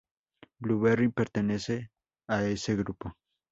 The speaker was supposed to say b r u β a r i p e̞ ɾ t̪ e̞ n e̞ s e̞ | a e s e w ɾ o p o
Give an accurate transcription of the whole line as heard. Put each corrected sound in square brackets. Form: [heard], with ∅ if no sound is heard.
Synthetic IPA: b [l] u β [e] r i p e̞ ɾ t̪ e̞ n e̞ s e̞ | a e s e [ɣ] ɾ [u] p o